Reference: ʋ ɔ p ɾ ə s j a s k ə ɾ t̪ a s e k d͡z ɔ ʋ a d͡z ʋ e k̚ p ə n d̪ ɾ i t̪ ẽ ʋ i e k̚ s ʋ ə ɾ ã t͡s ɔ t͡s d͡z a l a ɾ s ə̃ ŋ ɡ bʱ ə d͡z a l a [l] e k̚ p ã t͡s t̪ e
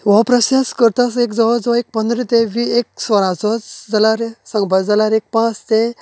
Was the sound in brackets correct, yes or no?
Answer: no